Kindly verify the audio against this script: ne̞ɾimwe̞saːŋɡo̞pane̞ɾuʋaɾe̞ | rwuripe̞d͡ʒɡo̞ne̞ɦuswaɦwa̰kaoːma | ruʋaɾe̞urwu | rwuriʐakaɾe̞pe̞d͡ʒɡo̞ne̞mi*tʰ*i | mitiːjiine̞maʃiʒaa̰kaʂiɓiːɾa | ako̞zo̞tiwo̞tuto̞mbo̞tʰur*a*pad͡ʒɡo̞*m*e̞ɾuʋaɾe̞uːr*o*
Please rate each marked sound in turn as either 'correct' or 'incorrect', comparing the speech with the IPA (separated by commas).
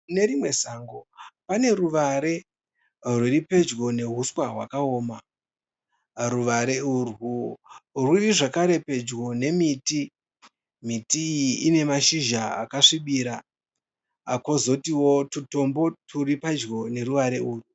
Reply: incorrect, incorrect, incorrect, incorrect